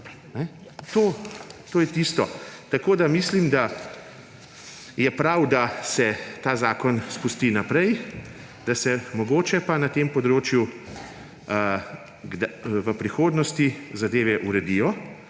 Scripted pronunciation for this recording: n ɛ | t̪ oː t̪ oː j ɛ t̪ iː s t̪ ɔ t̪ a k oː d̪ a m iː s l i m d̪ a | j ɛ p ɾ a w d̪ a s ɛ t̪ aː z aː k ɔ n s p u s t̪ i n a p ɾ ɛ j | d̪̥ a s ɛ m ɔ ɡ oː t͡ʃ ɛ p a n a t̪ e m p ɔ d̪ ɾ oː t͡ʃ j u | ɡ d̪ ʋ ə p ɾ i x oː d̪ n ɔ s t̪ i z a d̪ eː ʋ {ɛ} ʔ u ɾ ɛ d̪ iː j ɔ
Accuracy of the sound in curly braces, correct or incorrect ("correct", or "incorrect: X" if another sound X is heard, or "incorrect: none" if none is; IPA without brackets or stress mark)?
correct